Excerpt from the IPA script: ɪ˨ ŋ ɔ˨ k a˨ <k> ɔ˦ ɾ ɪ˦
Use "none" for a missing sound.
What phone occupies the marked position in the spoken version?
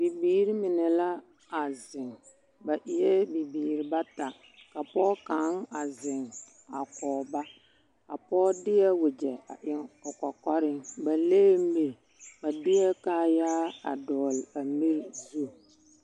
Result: k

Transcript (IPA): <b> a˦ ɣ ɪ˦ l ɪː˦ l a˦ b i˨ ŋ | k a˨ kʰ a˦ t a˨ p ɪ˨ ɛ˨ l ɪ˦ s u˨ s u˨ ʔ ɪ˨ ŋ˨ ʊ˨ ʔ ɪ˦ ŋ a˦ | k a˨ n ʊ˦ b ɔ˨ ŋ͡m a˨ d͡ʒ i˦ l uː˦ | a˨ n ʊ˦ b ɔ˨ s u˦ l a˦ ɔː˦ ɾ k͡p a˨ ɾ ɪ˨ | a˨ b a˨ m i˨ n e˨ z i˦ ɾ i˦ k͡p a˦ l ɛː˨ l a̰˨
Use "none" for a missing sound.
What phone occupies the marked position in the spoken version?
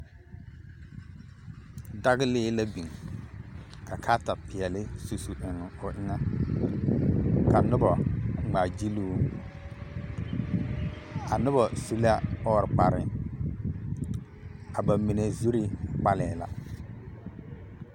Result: d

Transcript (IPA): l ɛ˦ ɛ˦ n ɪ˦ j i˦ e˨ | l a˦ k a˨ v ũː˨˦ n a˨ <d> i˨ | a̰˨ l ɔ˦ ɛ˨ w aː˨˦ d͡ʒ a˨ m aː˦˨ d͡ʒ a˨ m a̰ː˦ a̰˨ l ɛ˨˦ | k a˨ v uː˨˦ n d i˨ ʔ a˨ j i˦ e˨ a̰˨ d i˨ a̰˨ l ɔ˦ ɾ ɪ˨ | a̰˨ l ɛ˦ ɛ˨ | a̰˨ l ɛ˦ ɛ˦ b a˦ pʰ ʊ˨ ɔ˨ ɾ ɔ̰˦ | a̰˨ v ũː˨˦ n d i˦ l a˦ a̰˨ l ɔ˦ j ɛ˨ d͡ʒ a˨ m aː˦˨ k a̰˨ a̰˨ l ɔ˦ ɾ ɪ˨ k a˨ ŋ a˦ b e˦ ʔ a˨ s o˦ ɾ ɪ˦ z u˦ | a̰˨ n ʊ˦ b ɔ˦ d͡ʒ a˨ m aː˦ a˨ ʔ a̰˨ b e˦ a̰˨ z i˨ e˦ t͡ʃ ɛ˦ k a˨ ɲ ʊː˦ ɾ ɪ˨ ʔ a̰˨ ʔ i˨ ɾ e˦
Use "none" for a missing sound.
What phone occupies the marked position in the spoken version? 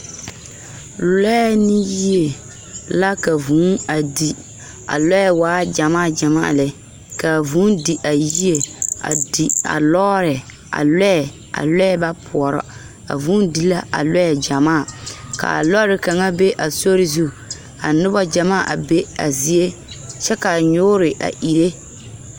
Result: d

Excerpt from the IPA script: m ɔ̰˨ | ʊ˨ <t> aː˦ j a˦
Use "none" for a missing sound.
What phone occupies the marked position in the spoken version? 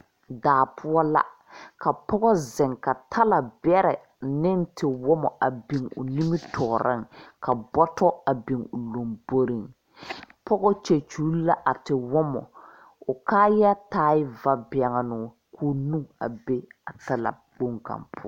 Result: k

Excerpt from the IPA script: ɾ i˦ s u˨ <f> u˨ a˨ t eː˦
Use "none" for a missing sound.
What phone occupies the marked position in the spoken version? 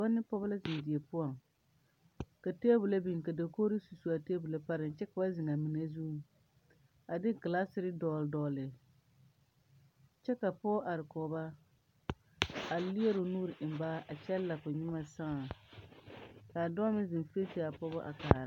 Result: s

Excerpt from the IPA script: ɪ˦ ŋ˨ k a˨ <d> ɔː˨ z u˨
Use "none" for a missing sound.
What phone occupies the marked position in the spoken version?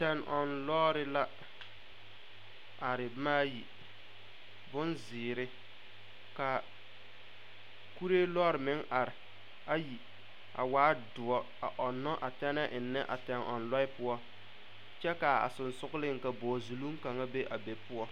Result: b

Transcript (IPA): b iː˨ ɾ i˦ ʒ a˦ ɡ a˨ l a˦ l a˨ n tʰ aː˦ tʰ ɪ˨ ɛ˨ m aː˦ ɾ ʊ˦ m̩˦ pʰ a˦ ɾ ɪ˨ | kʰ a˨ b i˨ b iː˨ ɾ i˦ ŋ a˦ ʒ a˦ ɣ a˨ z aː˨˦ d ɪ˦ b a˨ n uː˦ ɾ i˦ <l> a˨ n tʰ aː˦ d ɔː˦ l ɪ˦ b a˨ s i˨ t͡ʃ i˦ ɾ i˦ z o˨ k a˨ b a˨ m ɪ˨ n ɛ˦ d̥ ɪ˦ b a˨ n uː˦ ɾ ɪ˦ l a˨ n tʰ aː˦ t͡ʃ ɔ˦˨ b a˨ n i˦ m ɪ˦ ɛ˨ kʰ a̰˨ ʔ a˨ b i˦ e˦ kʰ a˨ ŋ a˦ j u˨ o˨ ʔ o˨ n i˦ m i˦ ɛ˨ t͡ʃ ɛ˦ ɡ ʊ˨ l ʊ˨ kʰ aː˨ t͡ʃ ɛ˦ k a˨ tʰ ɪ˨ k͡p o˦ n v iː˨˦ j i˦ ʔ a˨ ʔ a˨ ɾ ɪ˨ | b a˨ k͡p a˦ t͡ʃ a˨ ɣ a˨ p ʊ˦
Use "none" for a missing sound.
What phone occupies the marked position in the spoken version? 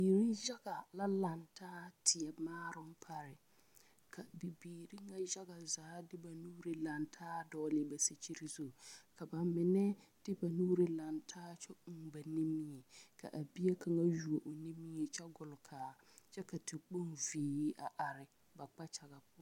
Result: l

